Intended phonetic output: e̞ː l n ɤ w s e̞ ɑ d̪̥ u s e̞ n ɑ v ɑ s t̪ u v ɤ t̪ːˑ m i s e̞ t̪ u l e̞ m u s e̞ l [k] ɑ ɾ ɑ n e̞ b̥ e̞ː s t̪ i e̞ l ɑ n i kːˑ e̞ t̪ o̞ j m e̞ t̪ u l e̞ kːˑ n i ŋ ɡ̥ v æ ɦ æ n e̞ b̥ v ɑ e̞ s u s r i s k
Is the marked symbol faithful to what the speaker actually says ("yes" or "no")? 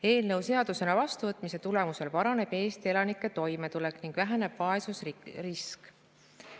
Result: no